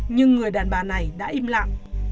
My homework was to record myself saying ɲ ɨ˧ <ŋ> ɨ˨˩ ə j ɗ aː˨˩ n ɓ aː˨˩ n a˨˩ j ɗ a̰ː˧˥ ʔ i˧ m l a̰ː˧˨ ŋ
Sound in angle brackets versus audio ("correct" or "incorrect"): incorrect